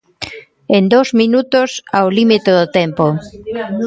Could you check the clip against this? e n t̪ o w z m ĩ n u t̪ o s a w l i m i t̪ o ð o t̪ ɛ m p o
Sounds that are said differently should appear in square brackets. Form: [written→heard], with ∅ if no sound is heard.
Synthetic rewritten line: e n [t̪→d̪] o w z m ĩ n u t̪ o s a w l i m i t̪ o ð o t̪ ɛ m p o